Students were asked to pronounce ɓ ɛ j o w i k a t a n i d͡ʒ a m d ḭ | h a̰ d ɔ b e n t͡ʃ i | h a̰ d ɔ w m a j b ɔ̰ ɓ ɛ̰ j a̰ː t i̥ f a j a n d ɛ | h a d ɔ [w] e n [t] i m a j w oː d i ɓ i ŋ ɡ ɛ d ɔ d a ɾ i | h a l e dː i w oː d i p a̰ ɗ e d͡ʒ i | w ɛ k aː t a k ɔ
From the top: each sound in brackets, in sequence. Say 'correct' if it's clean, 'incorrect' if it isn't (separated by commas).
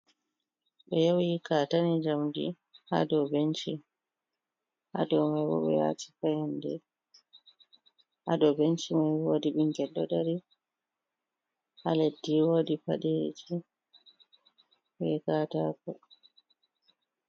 incorrect, incorrect